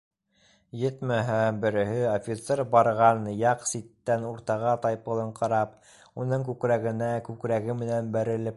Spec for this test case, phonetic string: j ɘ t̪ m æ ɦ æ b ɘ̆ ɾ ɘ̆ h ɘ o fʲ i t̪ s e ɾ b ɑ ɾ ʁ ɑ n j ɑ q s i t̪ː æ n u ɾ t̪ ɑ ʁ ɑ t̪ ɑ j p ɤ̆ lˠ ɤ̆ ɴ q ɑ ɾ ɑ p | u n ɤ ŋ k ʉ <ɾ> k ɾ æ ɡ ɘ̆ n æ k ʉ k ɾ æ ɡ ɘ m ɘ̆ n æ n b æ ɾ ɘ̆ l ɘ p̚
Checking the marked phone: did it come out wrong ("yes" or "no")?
yes